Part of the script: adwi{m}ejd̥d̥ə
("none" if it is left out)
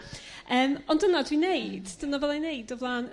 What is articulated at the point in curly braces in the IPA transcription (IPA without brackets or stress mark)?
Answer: n